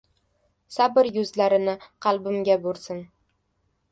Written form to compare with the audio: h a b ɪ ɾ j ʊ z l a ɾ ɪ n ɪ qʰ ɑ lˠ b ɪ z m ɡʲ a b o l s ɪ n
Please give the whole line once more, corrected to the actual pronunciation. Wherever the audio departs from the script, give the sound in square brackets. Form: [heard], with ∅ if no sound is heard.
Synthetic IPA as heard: [s] a b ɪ ɾ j ʊ z l a ɾ ɪ n ɪ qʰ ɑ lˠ b ɪ [∅] m ɡʲ a b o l s ɪ n